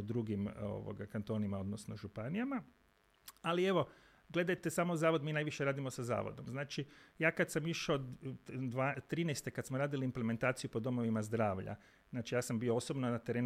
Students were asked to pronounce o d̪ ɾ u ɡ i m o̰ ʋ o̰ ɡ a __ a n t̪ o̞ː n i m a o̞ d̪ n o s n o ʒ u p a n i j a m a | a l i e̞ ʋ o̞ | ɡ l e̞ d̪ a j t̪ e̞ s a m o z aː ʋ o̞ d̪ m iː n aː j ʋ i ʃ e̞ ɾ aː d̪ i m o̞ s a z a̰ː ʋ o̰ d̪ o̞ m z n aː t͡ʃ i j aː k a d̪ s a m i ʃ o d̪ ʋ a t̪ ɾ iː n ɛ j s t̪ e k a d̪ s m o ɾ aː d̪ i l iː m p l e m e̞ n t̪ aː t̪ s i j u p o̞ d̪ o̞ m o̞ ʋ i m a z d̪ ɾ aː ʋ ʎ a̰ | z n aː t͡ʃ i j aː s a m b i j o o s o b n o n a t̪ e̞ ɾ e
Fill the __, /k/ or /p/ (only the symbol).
k